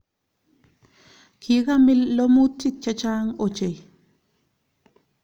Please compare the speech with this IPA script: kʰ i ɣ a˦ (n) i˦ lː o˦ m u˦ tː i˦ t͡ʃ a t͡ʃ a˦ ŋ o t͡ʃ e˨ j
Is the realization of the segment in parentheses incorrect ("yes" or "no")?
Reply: yes